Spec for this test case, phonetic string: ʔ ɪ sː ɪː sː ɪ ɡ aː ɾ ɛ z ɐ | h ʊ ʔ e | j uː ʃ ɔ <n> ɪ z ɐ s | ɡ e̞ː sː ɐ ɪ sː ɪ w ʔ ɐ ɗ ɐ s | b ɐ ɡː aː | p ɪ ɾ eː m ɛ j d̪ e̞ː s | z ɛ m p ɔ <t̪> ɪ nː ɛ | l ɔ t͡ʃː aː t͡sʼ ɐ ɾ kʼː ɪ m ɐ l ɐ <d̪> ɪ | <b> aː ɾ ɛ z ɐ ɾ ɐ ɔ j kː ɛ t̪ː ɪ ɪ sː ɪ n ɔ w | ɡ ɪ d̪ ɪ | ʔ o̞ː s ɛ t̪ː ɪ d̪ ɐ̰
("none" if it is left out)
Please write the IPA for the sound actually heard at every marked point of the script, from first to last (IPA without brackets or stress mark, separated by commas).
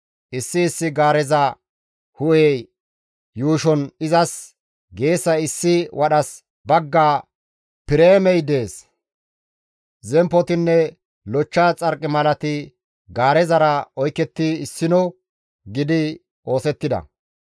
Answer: n, t̪, t̪, ɡ